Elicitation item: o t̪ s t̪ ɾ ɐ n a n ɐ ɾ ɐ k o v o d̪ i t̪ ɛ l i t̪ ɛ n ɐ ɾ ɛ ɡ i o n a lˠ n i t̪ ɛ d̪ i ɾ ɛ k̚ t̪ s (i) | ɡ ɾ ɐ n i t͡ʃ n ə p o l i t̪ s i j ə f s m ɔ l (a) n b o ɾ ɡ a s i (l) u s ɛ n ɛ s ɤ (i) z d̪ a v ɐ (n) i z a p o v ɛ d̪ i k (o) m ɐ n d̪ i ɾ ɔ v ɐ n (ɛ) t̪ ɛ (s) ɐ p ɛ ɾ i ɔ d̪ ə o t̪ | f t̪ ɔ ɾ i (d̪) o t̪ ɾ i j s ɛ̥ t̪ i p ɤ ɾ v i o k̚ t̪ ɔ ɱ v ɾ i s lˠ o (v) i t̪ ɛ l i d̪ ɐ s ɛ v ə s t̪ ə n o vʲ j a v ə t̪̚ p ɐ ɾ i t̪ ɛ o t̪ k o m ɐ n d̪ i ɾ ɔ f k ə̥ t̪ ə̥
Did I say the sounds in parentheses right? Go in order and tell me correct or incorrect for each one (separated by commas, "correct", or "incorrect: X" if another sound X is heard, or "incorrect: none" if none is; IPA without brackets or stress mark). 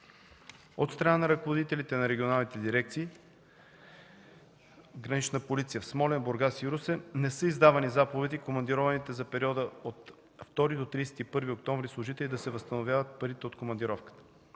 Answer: incorrect: iː, incorrect: ɛ, incorrect: ɾ, correct, correct, correct, incorrect: i, incorrect: z, correct, incorrect: ʒ